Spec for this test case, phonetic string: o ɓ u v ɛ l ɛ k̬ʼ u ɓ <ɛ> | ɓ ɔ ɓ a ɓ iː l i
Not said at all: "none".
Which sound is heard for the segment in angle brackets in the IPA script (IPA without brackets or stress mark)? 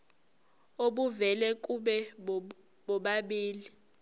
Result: ɛ